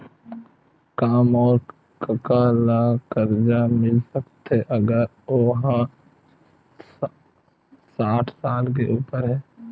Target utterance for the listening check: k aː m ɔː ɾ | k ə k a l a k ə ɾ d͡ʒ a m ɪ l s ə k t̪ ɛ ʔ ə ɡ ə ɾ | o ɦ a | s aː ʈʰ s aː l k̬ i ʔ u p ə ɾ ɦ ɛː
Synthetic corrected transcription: k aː m ɔː ɾ | k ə k a l a k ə ɾ d͡ʒ a m ɪ l s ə k t̪ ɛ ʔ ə ɡ ə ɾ | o ɦ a | s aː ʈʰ s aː l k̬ e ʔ uː p ə ɾ ɦ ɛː